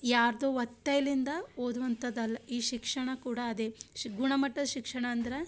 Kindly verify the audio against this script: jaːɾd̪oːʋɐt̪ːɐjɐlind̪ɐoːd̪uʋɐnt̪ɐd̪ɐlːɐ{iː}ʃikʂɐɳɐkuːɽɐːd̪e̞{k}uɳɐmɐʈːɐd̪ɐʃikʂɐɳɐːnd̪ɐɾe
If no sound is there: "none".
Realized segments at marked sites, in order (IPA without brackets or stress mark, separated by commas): iː, ɡ